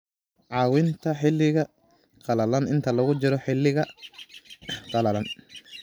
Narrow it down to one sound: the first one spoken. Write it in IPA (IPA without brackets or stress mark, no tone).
ʕ